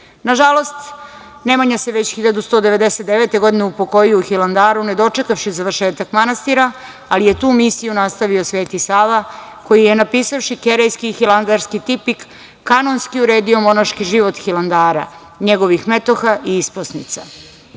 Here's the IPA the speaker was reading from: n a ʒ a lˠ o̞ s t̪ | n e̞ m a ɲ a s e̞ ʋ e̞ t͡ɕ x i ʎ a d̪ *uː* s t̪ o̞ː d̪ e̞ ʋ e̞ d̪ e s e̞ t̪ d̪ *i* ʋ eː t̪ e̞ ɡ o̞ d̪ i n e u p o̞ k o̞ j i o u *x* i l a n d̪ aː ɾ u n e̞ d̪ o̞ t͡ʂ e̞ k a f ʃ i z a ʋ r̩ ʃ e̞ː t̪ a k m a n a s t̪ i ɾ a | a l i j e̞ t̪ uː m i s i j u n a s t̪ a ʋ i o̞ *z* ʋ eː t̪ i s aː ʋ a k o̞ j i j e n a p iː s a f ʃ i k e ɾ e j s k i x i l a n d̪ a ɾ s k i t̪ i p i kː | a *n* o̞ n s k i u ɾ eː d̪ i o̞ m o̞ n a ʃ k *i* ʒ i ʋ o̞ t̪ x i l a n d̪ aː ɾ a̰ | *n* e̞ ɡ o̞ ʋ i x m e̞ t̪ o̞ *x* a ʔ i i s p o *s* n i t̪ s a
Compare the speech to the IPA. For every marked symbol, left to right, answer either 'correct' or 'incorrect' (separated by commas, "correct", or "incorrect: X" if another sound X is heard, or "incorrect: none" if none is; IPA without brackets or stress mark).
incorrect: u, incorrect: e, correct, incorrect: s, correct, correct, incorrect: ɲ, correct, correct